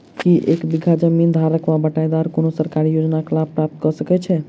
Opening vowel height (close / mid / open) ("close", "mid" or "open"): close